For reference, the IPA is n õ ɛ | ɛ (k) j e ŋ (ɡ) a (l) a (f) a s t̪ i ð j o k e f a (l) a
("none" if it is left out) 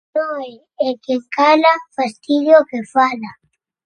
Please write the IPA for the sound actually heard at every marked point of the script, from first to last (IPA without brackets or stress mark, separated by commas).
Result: k, k, l, f, l